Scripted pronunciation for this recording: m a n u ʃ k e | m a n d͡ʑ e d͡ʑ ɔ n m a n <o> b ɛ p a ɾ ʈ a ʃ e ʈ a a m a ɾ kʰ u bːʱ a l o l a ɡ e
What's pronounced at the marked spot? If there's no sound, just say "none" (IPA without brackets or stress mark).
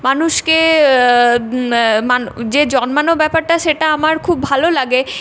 o